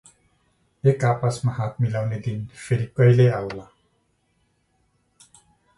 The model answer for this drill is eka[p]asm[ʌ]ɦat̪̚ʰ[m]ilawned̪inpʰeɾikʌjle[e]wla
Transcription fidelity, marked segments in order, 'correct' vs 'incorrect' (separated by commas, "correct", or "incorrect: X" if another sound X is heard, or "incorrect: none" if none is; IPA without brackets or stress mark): correct, incorrect: a, correct, incorrect: a